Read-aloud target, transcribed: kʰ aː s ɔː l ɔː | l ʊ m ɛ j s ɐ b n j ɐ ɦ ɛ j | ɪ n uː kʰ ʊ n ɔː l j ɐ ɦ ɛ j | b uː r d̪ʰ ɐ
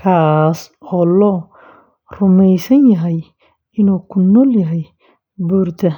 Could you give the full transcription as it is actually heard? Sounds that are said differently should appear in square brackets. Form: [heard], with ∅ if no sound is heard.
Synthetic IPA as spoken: kʰ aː s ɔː l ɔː | [r] ʊ m ɛ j s ɐ [∅] n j ɐ ɦ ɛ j | ɪ n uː kʰ ʊ n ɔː l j ɐ ɦ ɛ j | b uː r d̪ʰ ɐ